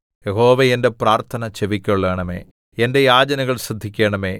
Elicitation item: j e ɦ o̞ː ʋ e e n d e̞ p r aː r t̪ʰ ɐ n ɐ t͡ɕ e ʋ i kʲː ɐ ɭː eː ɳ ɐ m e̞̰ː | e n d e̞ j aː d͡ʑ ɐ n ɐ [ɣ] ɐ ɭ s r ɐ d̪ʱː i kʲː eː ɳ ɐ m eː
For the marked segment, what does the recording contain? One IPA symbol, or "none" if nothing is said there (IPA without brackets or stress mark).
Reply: ɣ